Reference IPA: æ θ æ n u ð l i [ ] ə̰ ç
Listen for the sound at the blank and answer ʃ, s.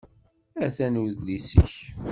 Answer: s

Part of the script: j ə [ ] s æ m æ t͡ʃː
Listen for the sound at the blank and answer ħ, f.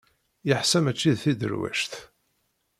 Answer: ħ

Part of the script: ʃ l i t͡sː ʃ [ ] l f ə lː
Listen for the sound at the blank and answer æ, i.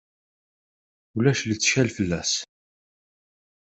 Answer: æ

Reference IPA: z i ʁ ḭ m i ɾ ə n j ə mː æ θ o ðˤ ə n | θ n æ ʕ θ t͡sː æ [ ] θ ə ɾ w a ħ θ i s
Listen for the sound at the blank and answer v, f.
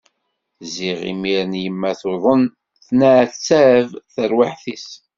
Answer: v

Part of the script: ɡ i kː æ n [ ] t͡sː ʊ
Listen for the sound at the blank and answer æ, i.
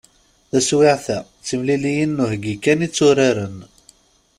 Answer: i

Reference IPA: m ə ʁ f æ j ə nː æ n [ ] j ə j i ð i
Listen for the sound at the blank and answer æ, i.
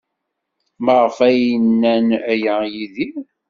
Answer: æ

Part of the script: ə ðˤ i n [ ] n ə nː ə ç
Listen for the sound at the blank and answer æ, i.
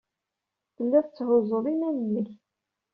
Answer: æ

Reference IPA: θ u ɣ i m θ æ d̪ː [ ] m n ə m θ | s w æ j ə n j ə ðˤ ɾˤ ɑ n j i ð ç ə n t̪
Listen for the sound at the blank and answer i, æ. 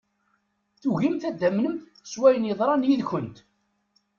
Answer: æ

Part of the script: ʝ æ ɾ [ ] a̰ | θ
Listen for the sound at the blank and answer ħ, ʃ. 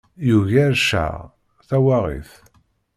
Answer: ʃ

